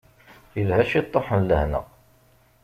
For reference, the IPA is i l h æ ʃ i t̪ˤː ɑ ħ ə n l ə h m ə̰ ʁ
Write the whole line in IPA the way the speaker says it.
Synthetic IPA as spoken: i l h æ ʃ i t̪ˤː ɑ ħ ə n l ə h n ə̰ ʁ